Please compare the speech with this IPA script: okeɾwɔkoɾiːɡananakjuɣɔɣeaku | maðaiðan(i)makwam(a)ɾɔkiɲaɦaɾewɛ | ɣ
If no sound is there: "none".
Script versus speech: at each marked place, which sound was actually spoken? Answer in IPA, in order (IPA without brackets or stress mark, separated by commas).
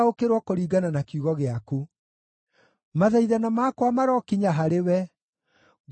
a, a